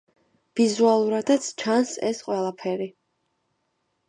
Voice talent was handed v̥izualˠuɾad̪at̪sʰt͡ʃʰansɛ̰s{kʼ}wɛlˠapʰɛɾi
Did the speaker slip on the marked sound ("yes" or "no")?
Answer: yes